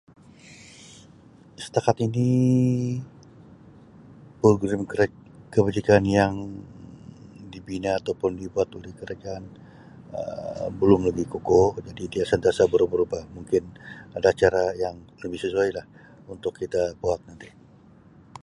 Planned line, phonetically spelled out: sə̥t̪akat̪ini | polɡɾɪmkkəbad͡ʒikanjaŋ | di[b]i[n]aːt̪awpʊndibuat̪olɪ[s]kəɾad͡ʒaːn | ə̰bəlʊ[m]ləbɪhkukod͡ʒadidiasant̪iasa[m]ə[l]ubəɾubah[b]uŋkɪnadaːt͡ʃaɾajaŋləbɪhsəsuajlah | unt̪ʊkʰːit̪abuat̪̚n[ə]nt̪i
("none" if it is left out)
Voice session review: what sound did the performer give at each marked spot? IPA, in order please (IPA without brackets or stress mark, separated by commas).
b, n, h, m, b, ɾ, m, a